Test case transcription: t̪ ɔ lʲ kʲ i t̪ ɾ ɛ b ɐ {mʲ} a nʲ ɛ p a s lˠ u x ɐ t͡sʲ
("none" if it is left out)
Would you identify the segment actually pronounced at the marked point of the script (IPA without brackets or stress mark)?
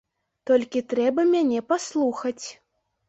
mʲ